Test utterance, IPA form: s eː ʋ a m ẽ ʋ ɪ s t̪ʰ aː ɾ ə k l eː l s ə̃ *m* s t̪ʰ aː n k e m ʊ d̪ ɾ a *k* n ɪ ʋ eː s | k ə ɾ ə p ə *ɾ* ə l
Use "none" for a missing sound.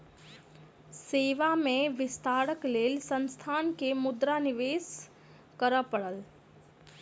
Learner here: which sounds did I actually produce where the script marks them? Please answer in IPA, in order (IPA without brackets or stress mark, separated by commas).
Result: n, none, ɽ